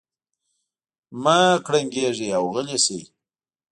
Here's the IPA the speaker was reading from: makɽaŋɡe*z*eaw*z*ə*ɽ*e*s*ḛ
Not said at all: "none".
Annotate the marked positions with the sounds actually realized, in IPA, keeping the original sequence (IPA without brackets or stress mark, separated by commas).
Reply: ʐ, ɣ, l, s